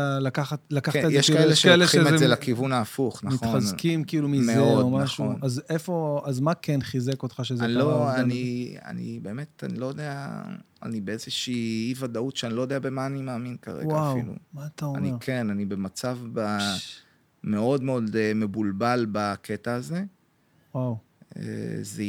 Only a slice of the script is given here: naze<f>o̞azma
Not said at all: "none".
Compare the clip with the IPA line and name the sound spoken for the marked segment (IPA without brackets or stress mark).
f